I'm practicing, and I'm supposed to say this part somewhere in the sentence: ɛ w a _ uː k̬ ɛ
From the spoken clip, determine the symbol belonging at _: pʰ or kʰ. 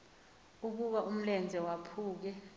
pʰ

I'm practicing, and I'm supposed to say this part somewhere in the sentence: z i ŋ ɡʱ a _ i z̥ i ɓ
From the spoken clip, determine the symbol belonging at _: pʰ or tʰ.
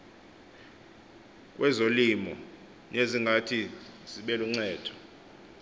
tʰ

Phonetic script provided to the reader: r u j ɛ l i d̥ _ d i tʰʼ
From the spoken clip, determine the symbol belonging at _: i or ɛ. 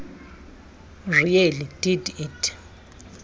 i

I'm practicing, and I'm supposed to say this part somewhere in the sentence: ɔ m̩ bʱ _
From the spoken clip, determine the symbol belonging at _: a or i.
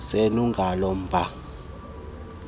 a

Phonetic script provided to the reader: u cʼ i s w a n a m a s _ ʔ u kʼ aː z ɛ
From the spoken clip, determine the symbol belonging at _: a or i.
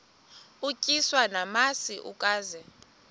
i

